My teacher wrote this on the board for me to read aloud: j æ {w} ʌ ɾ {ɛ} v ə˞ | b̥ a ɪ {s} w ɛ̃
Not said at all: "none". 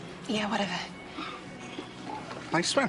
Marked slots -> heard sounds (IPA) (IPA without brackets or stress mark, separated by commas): w, ɛ, s